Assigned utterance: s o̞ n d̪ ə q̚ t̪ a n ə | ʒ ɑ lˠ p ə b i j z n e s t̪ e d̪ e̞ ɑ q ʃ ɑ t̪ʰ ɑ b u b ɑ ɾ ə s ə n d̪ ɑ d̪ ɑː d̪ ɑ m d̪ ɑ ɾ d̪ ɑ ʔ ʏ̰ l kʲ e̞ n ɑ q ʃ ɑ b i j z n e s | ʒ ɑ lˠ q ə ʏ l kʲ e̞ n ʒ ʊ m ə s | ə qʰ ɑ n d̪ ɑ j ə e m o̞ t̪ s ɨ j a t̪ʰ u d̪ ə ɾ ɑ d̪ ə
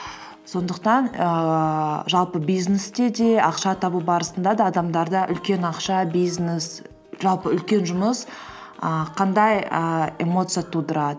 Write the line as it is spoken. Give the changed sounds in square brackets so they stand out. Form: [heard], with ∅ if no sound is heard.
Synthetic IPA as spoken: s o̞ n d̪ ə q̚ t̪ [ɑ] n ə | ʒ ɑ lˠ p ə b i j z n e s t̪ e d̪ e̞ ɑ q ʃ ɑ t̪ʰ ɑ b u b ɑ ɾ ə s ə n d̪ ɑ d̪ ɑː d̪ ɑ m d̪ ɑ ɾ d̪ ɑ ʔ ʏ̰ l kʲ e̞ n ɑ q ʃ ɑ b i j z n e s | ʒ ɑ lˠ [p] ə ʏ l kʲ e̞ n ʒ ʊ m ə s | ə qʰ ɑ n d̪ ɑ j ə e m o̞ t̪ s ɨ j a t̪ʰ u d̪ ə ɾ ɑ d̪ ə

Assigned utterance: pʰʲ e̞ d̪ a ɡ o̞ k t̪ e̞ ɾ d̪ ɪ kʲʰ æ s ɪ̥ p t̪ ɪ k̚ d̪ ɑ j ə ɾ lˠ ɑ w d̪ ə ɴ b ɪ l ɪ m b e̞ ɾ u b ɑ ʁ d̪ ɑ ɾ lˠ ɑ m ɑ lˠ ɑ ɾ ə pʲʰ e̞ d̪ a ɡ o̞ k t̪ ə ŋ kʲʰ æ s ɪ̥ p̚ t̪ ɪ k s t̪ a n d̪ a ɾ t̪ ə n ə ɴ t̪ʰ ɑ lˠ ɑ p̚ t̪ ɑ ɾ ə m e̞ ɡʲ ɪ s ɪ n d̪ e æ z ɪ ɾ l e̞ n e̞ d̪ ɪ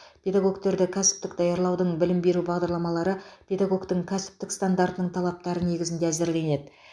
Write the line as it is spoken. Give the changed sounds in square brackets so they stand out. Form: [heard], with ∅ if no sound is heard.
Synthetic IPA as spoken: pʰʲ e̞ d̪ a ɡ o̞ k t̪ e̞ ɾ d̪ ɪ kʲʰ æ s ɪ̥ p t̪ ɪ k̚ d̪ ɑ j [ɑ] ɾ lˠ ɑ w d̪ ə ɴ b ɪ l ɪ m b e̞ ɾ u b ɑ ʁ d̪ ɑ ɾ lˠ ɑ m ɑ lˠ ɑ ɾ ə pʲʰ e̞ d̪ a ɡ o̞ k t̪ ə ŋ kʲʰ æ s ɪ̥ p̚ t̪ ɪ k s t̪ a n d̪ a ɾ t̪ ə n ə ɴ t̪ʰ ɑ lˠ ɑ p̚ t̪ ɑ ɾ ə [n] e̞ ɡʲ ɪ [z] ɪ n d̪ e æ z ɪ ɾ l e̞ n e̞ d̪ ɪ

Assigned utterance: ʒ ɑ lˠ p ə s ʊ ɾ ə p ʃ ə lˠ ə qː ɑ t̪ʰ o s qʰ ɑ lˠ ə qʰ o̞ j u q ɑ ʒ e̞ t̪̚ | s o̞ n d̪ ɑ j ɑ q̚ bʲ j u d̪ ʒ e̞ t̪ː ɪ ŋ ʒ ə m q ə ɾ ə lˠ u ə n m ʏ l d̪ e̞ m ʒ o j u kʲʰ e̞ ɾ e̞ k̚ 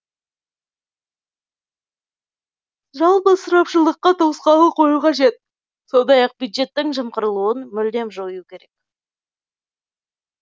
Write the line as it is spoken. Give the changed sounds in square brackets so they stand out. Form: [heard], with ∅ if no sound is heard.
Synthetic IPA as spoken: ʒ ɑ lˠ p ə s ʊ ɾ [ɑ] p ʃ ə lˠ ə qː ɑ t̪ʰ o s [q] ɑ lˠ ə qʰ o̞ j u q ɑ ʒ e̞ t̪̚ | s o̞ n d̪ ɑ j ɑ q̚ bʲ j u d̪ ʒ e̞ t̪ː ɪ ŋ ʒ ə m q ə ɾ ə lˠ u ə n m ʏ l d̪ e̞ m ʒ o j u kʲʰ e̞ ɾ e̞ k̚

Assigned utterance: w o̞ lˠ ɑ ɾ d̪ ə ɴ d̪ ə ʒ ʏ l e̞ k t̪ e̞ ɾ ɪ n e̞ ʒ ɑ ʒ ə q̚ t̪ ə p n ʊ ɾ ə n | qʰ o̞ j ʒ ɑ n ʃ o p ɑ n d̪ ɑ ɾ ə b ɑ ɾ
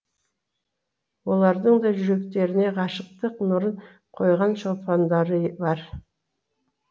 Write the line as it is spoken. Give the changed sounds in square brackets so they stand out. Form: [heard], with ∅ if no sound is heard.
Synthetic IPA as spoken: w o̞ lˠ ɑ ɾ d̪ ə ɴ d̪ [ɑ] ʒ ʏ [ɾ] e̞ k t̪ e̞ ɾ ɪ n e̞ [ʁ] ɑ [ʃ] ə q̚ t̪ ə [q] n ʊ ɾ ə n | qʰ o̞ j [ʁ] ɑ n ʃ o p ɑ n d̪ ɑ ɾ ə b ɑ ɾ

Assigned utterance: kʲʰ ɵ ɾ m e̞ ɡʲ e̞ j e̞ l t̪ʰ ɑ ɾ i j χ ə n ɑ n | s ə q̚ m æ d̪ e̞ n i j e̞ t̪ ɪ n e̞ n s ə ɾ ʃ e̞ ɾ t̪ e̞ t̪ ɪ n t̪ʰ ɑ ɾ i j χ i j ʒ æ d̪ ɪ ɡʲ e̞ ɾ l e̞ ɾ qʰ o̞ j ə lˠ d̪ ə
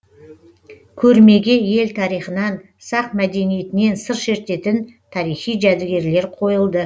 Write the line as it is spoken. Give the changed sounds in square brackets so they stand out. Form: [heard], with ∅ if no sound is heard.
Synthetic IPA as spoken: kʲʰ ɵ ɾ m e̞ ɡʲ e̞ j e̞ l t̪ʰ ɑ ɾ i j χ ə n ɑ n | s [ɑ] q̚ m æ d̪ e̞ n i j e̞ t̪ ɪ n e̞ n s ə ɾ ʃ e̞ ɾ t̪ e̞ t̪ ɪ n t̪ʰ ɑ ɾ i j χ i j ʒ æ d̪ ɪ ɡʲ e̞ ɾ l e̞ ɾ qʰ o̞ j ə lˠ d̪ ə

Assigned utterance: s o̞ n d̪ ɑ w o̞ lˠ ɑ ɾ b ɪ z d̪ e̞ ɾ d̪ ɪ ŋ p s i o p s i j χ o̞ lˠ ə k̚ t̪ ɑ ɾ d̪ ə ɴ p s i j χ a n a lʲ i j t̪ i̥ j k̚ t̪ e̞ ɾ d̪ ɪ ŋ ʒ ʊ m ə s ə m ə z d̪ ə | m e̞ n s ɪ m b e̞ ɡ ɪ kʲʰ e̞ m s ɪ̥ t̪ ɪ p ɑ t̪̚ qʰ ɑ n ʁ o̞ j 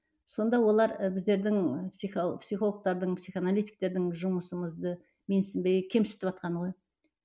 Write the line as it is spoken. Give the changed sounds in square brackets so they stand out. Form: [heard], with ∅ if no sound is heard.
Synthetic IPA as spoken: s o̞ n d̪ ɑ w o̞ lˠ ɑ ɾ b ɪ z d̪ e̞ ɾ d̪ ɪ ŋ p s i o p s i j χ o̞ lˠ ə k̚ t̪ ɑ ɾ d̪ ə ɴ p s i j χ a n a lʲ i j t̪ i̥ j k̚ t̪ e̞ ɾ d̪ ɪ ŋ ʒ ʊ m ə s ə m ə z d̪ ə | m e̞ n s ɪ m b e̞ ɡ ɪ kʲʰ e̞ m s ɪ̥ t̪ ɪ p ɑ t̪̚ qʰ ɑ n ʁ o̞ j

